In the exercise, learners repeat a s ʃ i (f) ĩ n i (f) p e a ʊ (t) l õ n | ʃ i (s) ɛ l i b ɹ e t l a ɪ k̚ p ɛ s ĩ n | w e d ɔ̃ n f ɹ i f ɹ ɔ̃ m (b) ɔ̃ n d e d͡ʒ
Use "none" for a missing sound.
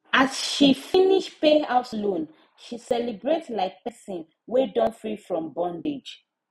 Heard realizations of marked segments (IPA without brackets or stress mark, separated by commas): f, ʃ, s, s, b